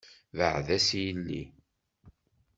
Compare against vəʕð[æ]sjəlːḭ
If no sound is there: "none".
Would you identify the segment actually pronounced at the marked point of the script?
æ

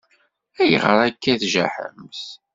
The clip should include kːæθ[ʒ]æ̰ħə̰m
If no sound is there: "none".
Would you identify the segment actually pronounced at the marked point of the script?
ʒ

